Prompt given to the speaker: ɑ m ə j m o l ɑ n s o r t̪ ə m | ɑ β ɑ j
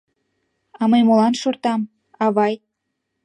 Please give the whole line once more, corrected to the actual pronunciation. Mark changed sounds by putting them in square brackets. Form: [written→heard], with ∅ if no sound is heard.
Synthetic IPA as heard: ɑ m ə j m o l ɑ n [s→ʃ] o r t̪ [ə→ɑ] m | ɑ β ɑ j